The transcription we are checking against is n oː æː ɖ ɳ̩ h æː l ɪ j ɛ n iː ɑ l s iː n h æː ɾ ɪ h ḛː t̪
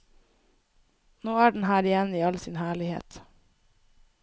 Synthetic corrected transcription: n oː æː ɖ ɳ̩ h æː ɾ ɪ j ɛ n iː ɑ l s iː n h æː ɭ ɪ h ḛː t̪